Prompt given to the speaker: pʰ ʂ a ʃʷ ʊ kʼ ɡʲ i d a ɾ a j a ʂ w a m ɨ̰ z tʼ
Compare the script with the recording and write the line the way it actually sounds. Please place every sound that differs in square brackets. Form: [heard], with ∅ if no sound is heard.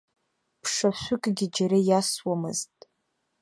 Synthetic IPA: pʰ ʂ a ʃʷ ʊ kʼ ɡʲ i [d͡ʒ] a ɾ a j a [s] w a m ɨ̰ z tʼ